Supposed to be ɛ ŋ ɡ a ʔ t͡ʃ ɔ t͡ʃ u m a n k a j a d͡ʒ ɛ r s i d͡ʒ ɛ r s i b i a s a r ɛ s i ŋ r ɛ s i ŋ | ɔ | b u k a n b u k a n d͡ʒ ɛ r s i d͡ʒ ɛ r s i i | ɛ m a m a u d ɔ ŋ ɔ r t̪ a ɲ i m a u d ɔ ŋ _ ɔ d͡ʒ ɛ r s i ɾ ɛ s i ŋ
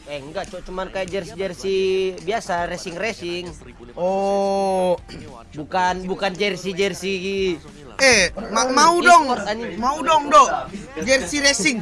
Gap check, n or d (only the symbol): d